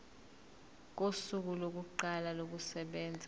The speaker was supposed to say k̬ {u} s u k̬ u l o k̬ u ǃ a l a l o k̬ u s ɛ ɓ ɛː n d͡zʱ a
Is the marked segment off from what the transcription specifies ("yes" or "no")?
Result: yes